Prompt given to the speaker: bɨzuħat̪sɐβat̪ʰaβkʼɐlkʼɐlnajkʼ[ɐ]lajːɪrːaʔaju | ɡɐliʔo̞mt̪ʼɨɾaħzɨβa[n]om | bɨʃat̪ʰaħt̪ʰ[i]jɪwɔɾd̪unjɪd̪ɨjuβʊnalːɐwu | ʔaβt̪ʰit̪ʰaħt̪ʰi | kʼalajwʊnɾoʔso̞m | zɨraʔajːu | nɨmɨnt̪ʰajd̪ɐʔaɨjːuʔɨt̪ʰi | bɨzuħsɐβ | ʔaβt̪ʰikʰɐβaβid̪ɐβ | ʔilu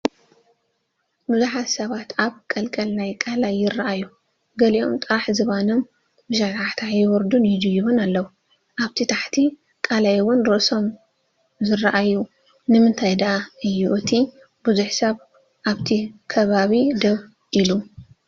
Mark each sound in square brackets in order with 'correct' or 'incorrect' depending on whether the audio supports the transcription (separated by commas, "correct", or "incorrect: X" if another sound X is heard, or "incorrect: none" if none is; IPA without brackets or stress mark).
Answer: incorrect: a, correct, incorrect: a